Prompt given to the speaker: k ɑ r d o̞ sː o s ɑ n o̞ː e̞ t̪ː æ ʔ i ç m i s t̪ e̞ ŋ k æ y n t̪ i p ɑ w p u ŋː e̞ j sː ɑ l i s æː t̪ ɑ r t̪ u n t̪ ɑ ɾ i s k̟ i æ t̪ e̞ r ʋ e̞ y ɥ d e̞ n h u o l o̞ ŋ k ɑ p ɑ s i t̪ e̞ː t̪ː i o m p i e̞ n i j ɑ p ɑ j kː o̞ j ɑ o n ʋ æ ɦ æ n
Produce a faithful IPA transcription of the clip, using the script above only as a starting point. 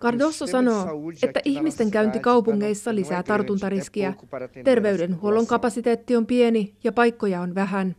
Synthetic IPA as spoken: k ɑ r d o̞ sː o s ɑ n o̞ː e̞ t̪ː æ ʔ i ç m i s t̪ e̞ ŋ k æ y n t̪ i k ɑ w p u ŋː e̞ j sː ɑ l i s æː t̪ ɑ r t̪ u n t̪ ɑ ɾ i s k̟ i æ t̪ e̞ r ʋ e̞ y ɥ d e̞ n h u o l o̞ ŋ k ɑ p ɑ s i t̪ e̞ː t̪ː i o m p i e̞ n i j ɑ p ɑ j kː o̞ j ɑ o n ʋ æ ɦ æ n